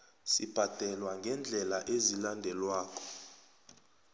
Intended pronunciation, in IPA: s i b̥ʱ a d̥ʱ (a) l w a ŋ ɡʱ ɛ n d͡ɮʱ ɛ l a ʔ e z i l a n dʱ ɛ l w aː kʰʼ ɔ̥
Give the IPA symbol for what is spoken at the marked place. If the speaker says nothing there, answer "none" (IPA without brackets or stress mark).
ɛ